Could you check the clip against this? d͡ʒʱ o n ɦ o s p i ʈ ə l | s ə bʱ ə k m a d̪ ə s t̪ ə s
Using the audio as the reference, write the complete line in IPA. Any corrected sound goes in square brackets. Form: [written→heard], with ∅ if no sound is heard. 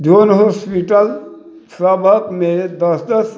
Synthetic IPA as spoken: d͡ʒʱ o n ɦ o s p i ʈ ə l | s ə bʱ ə k m [a→e] d̪ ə s [t̪→d̪] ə s